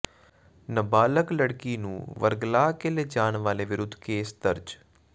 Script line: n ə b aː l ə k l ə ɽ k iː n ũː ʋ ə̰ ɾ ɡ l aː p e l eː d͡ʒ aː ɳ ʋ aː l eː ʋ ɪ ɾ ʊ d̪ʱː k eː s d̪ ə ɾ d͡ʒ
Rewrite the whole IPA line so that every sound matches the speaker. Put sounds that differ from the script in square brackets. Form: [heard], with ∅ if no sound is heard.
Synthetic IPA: n ə b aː l ə k l ə ɽ k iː n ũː ʋ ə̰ ɾ ɡ l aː [k] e l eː d͡ʒ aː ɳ ʋ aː l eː ʋ ɪ ɾ ʊ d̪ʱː k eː s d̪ ə ɾ d͡ʒ